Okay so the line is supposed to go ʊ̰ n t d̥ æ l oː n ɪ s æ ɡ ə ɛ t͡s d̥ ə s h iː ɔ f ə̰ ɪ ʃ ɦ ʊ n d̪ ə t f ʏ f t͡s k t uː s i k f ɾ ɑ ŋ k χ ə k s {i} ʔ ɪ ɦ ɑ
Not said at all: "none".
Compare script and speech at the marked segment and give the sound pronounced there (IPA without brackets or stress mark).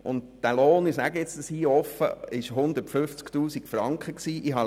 iː